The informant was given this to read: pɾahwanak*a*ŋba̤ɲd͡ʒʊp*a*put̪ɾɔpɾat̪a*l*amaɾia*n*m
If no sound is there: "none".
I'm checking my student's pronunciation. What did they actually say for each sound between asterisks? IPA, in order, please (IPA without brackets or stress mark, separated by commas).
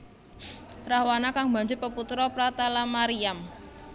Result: a, ə, l, none